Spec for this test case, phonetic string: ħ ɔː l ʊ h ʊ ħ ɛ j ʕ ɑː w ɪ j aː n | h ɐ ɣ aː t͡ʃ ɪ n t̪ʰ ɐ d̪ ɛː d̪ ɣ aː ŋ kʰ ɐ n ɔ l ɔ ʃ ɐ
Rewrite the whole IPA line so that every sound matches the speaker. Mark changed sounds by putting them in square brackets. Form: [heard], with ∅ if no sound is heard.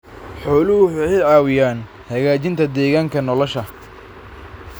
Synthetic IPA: ħ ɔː l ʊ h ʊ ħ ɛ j ʕ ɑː w ɪ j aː n | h ɐ ɣ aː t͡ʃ ɪ n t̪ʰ ɐ d̪ ɛː [∅] ɣ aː ŋ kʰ ɐ n ɔ l ɔ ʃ ɐ